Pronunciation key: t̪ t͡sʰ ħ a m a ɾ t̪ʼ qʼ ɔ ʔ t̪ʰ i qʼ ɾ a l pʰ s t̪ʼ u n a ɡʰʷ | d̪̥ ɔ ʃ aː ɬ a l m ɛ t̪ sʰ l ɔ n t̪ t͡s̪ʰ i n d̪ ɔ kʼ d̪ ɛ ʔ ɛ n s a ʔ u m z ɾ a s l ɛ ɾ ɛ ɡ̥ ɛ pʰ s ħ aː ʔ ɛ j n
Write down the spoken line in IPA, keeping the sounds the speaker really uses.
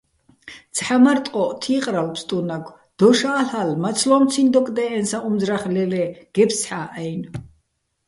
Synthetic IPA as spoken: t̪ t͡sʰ ħ a m a ɾ t̪ʼ qʼ ɔ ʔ t̪ʰ i qʼ ɾ a l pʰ s t̪ʼ u n a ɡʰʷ | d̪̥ ɔ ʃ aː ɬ a l m a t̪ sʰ l ɔ m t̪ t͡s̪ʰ i n d̪ ɔ kʼ d̪ ɛ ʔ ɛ n s a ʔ u m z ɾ a χ l ɛ l ɛ ɡ̥ ɛ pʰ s ħ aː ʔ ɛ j n